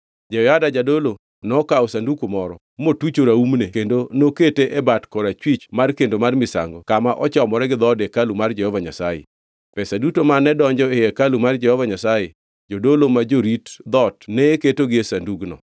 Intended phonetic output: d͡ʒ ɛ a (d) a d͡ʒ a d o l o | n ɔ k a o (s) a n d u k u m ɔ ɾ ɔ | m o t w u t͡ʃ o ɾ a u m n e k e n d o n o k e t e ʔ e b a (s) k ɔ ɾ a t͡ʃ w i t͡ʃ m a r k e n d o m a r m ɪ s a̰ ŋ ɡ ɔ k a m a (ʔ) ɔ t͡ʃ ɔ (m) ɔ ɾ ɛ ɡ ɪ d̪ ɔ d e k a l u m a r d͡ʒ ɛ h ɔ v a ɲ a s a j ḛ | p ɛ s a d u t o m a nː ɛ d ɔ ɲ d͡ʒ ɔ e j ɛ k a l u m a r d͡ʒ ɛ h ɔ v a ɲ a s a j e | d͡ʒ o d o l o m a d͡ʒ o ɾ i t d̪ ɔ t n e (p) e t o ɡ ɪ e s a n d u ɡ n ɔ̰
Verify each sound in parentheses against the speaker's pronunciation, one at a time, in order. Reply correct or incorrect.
correct, correct, incorrect, correct, correct, incorrect

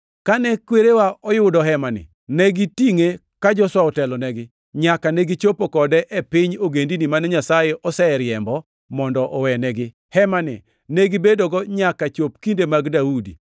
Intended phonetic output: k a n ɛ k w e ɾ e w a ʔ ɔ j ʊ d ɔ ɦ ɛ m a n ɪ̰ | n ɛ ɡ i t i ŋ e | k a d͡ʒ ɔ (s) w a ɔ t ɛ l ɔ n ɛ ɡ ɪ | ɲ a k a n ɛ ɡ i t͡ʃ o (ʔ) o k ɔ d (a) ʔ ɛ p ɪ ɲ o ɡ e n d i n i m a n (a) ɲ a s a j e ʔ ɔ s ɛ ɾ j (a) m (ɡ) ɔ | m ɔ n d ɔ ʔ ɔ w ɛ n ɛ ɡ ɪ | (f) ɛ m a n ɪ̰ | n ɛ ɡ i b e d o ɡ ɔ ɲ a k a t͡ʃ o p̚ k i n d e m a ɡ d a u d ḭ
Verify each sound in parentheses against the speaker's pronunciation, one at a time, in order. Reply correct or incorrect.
correct, incorrect, incorrect, incorrect, incorrect, incorrect, incorrect

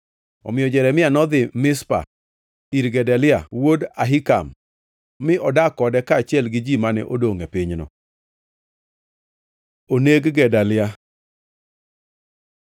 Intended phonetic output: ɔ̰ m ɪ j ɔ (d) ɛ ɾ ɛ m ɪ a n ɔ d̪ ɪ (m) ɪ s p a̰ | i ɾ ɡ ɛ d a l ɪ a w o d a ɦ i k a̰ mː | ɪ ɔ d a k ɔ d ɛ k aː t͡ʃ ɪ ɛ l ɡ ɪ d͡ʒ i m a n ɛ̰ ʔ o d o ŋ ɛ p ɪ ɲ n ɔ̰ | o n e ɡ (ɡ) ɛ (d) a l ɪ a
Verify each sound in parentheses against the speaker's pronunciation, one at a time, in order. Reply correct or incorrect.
incorrect, correct, correct, correct

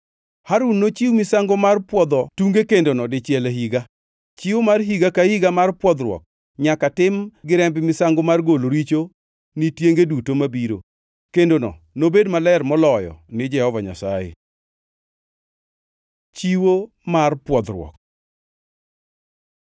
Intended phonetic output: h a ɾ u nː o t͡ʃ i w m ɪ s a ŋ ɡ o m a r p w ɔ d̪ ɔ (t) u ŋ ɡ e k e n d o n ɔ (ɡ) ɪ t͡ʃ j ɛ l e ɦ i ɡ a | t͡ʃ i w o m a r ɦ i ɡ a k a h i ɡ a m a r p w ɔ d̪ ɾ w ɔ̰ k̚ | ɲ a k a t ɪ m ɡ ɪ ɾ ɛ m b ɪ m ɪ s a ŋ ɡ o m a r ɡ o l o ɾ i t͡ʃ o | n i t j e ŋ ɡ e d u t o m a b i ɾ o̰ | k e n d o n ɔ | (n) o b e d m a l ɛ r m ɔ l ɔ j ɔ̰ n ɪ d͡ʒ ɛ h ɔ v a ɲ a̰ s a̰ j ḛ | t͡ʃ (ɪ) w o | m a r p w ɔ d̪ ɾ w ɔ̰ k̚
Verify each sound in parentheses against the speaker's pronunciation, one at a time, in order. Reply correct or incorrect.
correct, incorrect, correct, incorrect

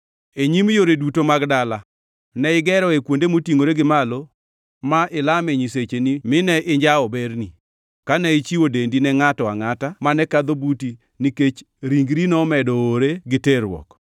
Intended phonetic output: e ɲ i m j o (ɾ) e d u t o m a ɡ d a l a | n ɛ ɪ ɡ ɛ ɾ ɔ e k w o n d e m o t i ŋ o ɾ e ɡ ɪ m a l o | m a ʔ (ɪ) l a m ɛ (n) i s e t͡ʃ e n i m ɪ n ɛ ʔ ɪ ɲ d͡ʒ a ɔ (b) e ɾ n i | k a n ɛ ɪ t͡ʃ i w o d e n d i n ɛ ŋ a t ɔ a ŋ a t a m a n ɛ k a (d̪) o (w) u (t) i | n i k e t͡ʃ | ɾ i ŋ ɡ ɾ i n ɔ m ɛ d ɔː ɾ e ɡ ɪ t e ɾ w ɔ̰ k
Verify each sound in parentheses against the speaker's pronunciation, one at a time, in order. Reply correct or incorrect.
correct, correct, incorrect, correct, correct, incorrect, correct

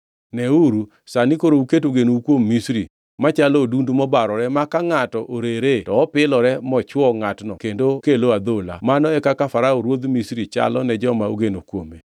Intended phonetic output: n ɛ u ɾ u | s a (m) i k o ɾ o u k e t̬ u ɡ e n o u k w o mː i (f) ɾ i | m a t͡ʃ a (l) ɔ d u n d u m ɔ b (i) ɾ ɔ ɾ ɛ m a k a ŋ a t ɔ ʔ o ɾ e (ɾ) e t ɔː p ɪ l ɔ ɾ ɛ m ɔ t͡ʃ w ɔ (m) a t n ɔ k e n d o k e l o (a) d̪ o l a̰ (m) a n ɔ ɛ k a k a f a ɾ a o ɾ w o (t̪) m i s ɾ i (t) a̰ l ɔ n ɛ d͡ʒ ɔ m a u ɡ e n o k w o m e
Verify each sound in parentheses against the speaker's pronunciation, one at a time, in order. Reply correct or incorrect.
incorrect, incorrect, correct, incorrect, correct, incorrect, correct, correct, incorrect, incorrect

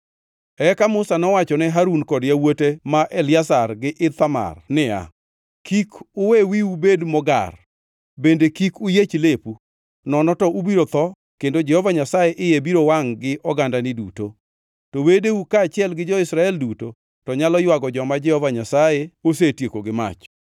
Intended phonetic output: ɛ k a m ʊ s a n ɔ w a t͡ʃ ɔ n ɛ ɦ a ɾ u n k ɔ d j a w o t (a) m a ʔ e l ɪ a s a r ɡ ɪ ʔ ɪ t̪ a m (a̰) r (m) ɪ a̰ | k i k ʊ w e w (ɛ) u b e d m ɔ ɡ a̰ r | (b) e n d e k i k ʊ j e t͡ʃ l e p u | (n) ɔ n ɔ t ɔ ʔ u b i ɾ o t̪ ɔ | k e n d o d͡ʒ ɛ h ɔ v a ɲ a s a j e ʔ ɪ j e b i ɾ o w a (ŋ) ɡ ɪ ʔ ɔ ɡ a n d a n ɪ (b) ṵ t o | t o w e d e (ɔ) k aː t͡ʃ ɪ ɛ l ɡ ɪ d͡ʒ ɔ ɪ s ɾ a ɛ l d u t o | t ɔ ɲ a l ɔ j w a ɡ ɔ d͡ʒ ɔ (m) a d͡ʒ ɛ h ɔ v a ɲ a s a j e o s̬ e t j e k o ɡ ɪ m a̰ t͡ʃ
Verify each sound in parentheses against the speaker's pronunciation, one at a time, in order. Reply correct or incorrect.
incorrect, correct, incorrect, incorrect, correct, correct, correct, incorrect, incorrect, correct

